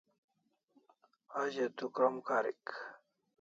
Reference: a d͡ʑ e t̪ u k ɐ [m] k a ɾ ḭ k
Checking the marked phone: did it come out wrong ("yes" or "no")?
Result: no